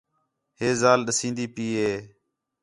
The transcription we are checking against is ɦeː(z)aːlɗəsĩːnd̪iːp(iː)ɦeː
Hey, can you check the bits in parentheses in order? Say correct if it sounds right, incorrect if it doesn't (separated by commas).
correct, correct